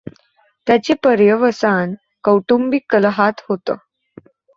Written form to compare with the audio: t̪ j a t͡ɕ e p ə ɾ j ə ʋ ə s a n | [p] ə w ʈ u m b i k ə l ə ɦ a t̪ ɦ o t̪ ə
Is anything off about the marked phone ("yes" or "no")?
yes